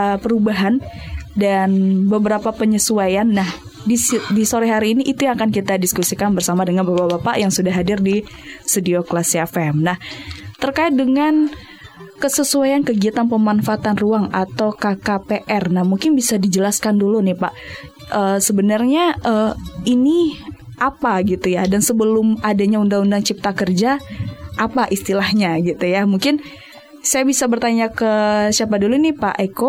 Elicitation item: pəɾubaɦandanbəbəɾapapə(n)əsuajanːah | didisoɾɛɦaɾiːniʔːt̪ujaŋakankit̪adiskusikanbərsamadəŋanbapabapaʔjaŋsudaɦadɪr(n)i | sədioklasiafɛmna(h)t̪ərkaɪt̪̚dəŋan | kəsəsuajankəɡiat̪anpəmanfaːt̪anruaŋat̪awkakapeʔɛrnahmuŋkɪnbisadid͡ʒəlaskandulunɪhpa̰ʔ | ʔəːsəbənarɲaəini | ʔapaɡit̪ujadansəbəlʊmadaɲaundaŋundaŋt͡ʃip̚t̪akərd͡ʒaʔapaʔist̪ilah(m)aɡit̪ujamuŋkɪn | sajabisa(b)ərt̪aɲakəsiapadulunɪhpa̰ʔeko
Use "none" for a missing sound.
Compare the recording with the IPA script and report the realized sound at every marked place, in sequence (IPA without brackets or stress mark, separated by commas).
ɲ, d, h, ɲ, b